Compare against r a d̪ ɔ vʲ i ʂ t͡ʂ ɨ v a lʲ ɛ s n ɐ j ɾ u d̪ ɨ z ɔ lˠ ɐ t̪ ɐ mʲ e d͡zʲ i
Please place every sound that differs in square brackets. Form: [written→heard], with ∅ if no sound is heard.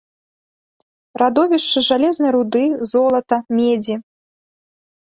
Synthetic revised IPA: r a d̪ ɔ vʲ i ʂ t͡ʂ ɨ [v→ʐ] a lʲ ɛ [s→z] n ɐ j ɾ u d̪ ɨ z ɔ lˠ ɐ t̪ ɐ mʲ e d͡zʲ i